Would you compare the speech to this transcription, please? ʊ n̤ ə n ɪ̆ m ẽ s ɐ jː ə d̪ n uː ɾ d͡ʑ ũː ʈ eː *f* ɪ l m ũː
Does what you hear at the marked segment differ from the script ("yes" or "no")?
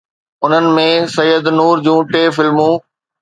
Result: no